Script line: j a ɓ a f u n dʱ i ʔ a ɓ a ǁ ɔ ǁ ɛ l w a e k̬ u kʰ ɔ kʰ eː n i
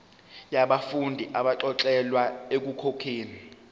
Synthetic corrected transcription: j a ɓ a f u n dʱ i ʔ a ɓ a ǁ ɔ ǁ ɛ l w a e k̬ u kʰ o kʰ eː n i